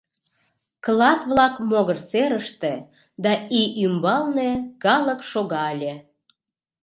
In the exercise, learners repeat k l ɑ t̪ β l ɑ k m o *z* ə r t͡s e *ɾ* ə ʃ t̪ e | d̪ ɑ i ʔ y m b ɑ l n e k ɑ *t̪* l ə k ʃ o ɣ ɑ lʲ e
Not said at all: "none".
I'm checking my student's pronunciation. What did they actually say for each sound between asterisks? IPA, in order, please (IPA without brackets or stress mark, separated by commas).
ɣ, ɾ, none